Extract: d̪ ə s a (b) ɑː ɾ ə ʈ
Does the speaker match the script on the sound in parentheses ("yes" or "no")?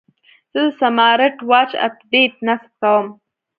no